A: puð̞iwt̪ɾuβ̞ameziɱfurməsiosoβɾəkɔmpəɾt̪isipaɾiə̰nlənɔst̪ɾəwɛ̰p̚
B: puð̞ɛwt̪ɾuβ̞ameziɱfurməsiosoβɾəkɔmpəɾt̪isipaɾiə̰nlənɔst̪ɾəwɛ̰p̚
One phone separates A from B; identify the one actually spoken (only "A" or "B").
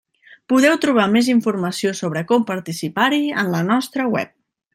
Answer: B